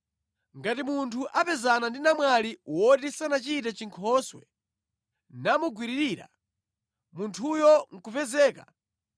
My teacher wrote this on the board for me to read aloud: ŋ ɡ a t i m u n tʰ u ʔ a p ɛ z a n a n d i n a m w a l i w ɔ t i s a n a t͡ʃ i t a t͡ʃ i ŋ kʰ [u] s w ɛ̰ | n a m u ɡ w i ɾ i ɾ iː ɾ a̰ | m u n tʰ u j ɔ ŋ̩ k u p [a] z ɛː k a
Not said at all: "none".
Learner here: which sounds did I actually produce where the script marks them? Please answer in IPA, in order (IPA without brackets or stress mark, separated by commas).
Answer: ɔ, ɛ